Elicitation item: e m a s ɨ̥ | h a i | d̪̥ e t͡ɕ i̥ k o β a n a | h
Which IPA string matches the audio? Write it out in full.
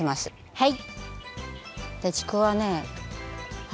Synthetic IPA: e m a s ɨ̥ | h a i | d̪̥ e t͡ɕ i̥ k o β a n e | h